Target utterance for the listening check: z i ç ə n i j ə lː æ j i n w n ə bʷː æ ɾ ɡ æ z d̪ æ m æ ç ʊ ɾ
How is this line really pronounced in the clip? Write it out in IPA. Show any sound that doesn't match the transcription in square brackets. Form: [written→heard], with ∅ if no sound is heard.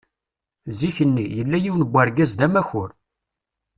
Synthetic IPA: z i ç ə [n→nː] i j ə lː æ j i [n→∅] w n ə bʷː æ ɾ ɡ æ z d̪ æ m æ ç ʊ ɾ